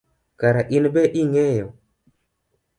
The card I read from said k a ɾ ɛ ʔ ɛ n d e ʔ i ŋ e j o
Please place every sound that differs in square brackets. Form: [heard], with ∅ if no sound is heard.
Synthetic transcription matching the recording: k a ɾ [a] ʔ [i] n [b] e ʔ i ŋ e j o